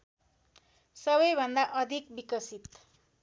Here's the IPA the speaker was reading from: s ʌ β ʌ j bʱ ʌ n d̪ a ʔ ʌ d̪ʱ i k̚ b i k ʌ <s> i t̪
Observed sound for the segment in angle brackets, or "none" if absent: s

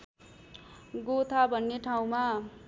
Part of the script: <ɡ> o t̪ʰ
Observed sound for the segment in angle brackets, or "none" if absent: ɡ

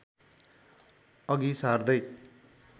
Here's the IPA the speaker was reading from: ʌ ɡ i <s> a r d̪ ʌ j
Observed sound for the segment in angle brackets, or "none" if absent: s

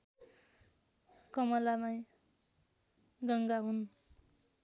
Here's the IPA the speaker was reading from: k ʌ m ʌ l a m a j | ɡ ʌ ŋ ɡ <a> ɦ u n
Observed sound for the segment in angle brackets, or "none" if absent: a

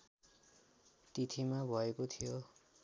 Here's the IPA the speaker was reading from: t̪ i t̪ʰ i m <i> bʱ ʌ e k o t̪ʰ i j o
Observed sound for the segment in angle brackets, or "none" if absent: a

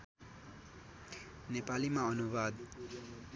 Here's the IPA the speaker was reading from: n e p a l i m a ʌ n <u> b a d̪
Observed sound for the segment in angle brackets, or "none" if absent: u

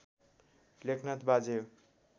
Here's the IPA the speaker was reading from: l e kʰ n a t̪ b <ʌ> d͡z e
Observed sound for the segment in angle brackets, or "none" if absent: a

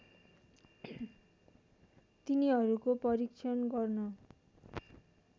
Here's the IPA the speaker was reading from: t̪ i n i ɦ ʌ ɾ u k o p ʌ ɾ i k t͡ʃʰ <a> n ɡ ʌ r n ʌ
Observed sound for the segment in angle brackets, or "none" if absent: ʌ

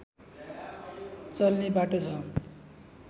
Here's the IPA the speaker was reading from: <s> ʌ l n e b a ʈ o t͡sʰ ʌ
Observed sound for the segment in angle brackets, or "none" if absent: t͡s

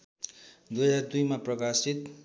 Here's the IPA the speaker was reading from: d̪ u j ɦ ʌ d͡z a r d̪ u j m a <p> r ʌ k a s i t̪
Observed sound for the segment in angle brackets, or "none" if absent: p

